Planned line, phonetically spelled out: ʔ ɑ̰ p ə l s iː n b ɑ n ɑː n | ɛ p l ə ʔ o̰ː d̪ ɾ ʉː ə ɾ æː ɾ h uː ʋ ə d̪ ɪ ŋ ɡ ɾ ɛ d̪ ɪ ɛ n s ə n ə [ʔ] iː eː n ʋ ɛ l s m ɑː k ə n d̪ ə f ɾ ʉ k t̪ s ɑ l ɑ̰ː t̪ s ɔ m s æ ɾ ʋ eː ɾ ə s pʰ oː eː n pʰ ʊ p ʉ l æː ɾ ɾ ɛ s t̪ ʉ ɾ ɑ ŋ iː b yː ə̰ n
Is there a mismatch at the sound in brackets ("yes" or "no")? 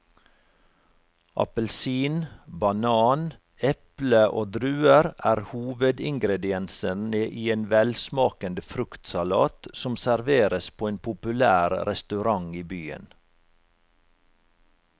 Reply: no